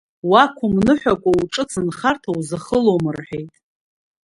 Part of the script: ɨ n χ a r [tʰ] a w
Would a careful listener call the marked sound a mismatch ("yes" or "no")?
no